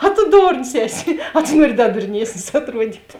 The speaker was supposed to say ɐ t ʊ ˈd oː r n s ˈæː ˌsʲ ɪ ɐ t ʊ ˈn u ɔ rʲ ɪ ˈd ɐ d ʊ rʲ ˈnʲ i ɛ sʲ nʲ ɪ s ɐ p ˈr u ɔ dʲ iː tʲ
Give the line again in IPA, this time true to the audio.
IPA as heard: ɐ t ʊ ˈd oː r n s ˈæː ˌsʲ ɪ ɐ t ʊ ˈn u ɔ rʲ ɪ ˈd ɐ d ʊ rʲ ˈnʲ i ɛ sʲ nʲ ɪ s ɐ t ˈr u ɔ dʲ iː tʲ